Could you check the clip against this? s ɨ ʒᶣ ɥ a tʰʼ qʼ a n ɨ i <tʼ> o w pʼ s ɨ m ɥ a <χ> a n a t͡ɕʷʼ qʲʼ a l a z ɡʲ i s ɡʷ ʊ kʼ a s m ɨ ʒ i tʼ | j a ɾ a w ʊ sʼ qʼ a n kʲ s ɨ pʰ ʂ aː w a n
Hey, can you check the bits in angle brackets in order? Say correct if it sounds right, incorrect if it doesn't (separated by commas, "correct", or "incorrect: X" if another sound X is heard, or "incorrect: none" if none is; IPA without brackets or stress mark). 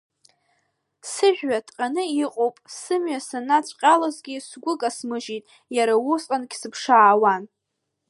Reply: incorrect: qʼ, incorrect: s